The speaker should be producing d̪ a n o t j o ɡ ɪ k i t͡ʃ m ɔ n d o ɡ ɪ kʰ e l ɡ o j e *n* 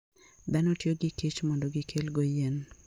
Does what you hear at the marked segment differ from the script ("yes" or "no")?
no